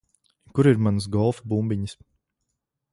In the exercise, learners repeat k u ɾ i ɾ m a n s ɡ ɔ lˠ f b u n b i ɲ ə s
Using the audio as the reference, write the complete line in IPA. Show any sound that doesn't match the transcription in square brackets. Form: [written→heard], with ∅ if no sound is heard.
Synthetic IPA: k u ɾ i ɾ m a n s ɡ ɔ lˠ f b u [n→m] b i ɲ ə s